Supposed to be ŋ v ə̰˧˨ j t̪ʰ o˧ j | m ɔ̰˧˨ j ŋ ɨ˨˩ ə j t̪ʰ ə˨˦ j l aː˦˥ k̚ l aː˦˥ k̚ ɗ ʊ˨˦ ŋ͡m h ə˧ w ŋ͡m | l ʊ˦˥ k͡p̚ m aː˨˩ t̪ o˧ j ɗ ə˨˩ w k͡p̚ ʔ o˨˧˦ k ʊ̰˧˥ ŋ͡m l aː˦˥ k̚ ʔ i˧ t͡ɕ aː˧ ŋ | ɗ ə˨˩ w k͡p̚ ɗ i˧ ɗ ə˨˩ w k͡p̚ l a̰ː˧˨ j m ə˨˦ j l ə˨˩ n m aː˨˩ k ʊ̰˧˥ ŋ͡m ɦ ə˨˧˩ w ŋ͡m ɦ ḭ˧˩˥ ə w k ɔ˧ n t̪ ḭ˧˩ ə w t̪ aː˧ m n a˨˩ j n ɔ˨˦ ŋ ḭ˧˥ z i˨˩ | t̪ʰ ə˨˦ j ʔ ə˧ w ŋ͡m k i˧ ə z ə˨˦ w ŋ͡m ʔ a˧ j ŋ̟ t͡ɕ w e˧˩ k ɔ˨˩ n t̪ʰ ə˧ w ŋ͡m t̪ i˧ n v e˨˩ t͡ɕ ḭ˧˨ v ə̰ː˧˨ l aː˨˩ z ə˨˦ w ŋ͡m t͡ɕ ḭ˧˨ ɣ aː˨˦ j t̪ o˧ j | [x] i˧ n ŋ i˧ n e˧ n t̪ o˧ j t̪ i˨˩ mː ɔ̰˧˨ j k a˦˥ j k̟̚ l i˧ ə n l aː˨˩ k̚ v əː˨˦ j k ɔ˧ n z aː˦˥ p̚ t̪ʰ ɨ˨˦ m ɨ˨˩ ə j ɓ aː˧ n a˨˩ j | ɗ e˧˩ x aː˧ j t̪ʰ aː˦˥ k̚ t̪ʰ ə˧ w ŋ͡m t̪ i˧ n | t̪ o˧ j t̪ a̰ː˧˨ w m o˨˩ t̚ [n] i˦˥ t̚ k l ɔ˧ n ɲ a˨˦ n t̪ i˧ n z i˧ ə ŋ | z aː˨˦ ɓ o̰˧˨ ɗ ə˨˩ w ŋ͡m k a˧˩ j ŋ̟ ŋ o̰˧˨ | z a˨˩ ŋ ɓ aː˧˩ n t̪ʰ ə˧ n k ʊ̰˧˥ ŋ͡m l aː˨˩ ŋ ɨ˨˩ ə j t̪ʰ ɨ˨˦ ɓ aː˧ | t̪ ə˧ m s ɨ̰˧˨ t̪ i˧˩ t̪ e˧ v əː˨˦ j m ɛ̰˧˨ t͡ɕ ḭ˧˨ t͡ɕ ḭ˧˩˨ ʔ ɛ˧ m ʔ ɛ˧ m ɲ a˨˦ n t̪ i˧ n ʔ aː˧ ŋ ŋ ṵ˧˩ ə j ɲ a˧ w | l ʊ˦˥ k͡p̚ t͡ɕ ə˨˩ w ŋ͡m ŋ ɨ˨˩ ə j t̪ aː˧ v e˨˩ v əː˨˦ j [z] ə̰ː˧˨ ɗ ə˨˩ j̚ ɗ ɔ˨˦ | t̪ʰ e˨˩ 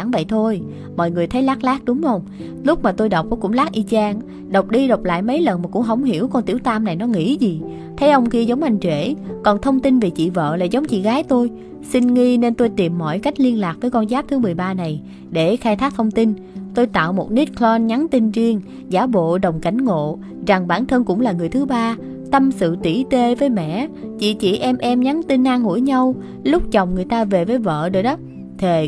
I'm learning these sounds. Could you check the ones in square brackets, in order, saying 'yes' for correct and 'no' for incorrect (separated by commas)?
no, yes, no